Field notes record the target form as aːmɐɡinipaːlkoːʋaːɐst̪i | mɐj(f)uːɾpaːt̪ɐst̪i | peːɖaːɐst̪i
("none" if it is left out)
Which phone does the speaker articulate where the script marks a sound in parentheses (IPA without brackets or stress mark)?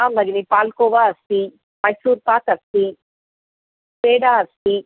s